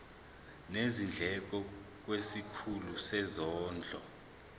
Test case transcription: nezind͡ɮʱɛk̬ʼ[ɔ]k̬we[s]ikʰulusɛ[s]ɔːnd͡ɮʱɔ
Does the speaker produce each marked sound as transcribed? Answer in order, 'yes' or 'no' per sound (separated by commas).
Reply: yes, yes, no